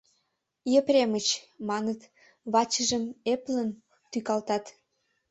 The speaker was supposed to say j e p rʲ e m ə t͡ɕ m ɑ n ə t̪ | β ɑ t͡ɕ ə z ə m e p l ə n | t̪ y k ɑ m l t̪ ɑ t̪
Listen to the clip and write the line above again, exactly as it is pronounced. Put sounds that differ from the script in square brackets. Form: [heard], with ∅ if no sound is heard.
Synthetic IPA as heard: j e p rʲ e m ə t͡ɕ m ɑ n ə t̪ | β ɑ t͡ɕ ə [ʒ] ə m e p l ə n | t̪ y k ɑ [∅] l t̪ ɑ t̪